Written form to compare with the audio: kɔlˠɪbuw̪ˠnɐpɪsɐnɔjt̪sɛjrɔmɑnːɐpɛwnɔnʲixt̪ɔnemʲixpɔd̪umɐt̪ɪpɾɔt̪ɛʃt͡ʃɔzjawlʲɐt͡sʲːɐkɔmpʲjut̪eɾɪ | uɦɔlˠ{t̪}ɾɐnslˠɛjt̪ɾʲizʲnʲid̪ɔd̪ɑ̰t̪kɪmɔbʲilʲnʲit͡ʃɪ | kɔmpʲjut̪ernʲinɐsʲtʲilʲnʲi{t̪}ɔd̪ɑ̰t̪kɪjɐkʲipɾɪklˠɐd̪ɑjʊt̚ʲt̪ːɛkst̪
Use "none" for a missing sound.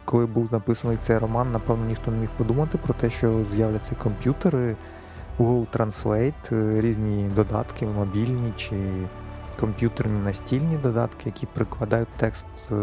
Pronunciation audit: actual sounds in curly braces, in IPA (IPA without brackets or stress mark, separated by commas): t̪, d̪